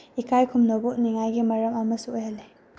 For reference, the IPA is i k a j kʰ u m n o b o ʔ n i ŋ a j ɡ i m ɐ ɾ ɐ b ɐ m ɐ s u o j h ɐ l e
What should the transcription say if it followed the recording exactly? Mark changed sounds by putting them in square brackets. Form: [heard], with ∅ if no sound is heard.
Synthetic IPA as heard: i k a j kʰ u m n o b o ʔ n i ŋ a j ɡ i m ɐ ɾ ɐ [m] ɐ m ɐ s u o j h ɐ l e